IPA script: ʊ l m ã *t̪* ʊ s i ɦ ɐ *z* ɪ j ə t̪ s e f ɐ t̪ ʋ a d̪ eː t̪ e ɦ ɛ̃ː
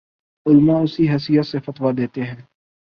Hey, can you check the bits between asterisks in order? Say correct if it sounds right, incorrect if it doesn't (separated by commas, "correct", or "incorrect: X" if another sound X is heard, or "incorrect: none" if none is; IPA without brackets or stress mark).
incorrect: none, incorrect: s